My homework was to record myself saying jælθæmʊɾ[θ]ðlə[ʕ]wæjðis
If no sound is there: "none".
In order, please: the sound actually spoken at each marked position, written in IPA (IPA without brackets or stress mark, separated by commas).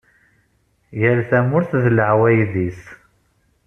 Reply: θ, ʕ